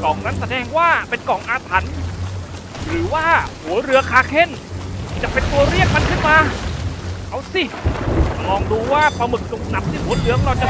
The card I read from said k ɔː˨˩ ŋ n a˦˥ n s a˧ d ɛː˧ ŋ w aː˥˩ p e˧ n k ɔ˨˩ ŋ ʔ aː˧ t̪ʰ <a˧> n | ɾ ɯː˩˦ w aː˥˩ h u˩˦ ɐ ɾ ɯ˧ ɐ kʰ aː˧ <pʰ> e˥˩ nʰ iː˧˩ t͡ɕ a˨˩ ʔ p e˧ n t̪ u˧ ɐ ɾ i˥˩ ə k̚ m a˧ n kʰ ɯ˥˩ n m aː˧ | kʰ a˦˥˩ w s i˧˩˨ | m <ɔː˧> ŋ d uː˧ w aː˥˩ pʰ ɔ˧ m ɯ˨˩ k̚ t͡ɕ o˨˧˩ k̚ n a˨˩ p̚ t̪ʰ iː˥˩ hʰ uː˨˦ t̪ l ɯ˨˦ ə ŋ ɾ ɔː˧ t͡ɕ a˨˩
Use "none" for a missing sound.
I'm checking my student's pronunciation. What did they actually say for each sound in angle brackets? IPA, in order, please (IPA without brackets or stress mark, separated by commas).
a˩˦, kʰ, ɔː˧